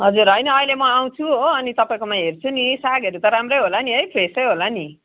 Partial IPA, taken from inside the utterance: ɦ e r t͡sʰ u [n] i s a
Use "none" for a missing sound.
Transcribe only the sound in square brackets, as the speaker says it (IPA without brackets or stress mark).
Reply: n